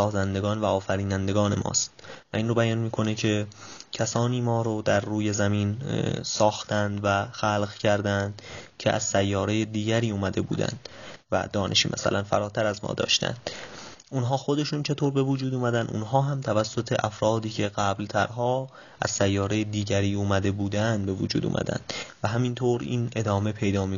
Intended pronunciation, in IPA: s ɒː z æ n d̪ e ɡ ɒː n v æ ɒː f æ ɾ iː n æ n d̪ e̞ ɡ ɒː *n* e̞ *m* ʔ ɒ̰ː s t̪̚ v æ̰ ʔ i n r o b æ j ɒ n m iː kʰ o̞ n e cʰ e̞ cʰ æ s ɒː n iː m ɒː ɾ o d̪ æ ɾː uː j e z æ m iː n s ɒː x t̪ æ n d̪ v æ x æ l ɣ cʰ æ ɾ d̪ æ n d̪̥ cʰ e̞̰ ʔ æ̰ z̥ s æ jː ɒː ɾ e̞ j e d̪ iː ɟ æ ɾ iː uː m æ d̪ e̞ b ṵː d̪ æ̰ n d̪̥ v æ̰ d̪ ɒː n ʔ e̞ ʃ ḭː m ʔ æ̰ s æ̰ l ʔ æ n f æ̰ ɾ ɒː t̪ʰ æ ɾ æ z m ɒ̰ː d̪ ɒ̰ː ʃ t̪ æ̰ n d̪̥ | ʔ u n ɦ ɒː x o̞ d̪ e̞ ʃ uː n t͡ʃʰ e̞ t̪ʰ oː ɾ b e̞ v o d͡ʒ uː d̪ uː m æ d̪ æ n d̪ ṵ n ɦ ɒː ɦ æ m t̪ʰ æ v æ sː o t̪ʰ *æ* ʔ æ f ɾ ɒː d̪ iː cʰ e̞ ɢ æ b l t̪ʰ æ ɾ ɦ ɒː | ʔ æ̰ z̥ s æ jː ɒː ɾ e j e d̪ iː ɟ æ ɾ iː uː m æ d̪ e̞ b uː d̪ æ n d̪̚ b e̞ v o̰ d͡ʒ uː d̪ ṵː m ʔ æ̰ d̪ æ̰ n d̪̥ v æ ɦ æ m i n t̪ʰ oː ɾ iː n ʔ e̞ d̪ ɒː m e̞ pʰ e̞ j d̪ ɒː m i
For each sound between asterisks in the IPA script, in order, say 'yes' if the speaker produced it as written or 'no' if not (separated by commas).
yes, yes, no